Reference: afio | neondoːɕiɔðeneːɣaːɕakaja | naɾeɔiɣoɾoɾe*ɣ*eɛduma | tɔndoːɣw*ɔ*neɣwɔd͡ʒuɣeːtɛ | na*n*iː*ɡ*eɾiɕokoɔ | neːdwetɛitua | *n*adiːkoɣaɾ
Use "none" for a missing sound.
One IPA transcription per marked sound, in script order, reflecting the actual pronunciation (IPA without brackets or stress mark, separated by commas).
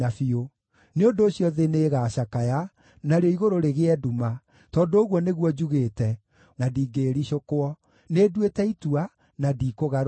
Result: ɣ, ɔ, d, ɡ, n